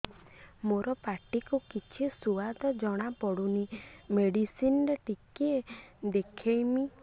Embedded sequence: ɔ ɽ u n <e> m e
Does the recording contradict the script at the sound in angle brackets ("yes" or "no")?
yes